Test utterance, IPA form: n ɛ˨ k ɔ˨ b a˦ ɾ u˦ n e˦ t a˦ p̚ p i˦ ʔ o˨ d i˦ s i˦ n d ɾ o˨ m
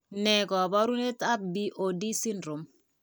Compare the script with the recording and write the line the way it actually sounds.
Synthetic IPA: n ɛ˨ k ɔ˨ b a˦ ɾ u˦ n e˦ t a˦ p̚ b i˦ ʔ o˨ d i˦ s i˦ n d ɾ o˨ m